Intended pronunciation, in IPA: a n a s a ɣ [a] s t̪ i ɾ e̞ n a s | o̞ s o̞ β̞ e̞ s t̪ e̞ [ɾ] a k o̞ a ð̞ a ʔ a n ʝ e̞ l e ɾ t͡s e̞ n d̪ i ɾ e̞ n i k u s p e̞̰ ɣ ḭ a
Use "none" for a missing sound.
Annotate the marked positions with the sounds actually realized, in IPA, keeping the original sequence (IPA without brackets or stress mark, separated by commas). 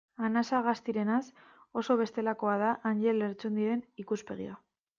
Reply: a, l